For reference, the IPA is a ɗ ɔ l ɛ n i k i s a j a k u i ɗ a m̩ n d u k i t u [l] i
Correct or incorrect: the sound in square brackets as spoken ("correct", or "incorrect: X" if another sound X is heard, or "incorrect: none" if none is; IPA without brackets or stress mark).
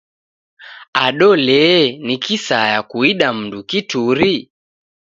incorrect: ɾ